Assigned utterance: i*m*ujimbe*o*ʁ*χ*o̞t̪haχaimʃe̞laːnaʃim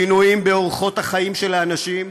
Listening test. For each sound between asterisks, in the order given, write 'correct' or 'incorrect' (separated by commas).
incorrect, correct, correct